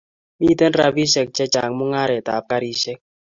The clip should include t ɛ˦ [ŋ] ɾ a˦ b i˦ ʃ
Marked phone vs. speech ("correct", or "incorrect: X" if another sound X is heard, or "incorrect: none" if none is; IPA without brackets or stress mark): incorrect: n